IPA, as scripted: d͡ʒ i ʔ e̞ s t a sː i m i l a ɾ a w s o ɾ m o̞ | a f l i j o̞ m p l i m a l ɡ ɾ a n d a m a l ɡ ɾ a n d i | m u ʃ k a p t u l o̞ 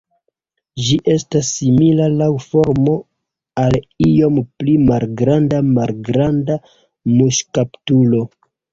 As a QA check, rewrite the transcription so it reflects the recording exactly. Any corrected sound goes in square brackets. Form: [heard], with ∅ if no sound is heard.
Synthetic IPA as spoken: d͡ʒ i ʔ e̞ s t a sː i m i l a [l] a w [f] o ɾ m o̞ | a [∅] l i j o̞ m p l i m a l ɡ ɾ a n d a m a l ɡ ɾ a n d [a] | m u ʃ k a p t u l o̞

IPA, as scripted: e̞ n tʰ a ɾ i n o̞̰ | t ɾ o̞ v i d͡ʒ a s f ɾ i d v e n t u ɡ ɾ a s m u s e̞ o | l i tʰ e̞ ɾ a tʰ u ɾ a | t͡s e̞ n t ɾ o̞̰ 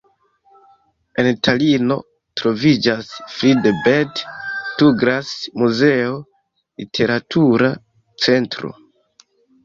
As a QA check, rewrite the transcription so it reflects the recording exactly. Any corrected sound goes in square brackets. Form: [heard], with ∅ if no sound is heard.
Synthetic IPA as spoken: e̞ n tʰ a [l] i n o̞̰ | t ɾ o̞ v i d͡ʒ a s f ɾ i d [b] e [d] t u ɡ ɾ a s m u [z] e̞ o | l i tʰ e̞ ɾ a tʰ u ɾ a | t͡s e̞ n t ɾ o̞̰

